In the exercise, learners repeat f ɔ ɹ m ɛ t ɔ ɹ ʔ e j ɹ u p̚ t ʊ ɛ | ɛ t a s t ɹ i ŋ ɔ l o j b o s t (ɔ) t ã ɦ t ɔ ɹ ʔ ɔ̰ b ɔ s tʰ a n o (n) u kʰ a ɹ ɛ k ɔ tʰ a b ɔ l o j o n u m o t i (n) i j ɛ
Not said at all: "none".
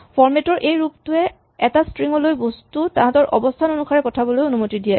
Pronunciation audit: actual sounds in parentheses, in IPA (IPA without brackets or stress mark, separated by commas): u, n, d